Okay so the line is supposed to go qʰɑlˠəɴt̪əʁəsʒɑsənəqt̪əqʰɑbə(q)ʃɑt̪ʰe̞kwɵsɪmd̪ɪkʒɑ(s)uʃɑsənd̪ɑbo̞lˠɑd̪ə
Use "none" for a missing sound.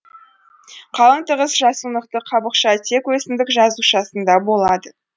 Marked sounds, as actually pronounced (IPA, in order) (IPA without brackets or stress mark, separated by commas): q, z